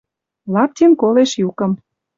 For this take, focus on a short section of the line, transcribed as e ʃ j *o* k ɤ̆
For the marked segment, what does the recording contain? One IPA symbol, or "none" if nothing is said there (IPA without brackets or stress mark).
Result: u